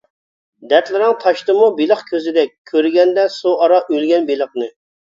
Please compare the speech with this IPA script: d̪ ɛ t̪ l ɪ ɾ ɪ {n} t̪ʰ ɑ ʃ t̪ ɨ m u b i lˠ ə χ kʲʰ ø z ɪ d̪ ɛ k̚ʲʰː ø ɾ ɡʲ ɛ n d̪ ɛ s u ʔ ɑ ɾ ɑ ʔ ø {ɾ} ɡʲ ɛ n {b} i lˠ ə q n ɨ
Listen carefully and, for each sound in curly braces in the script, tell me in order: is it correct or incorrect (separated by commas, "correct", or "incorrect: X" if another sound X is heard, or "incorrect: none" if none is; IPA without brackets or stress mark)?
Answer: incorrect: ŋ, incorrect: l, correct